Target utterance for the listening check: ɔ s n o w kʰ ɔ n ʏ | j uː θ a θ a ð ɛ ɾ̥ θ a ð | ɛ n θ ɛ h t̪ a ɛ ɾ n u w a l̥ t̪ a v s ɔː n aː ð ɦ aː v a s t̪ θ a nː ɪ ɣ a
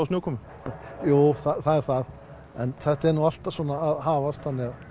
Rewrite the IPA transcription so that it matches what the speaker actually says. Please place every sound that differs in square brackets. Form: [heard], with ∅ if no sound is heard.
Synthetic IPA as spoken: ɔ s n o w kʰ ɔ [m] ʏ | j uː θ a θ a ð ɛ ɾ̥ θ a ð | ɛ n θ ɛ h t̪ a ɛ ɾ n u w a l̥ t̪ a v s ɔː n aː ð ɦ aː v a s t̪ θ a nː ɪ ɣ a